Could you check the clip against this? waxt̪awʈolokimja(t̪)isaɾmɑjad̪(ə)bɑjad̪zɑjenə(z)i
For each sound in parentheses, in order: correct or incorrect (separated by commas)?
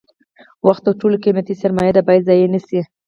correct, incorrect, incorrect